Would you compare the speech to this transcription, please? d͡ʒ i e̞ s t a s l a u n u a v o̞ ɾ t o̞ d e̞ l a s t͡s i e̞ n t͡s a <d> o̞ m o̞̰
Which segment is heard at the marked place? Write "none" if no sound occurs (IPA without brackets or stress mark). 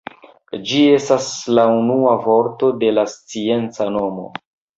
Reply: n